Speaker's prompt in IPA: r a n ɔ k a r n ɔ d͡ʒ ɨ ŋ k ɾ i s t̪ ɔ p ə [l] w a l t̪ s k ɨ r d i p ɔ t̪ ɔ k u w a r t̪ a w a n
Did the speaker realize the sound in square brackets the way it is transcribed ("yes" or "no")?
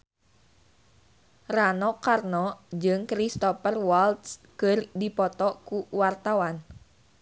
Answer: no